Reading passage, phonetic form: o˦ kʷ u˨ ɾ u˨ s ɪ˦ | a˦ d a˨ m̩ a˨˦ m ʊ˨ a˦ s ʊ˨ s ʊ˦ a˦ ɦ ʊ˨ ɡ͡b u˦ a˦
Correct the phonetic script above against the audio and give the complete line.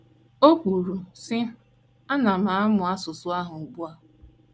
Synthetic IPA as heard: o˦ kʷ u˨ ɾ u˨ s ɪ˦ | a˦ n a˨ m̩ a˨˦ m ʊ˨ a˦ s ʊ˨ s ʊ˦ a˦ ɦ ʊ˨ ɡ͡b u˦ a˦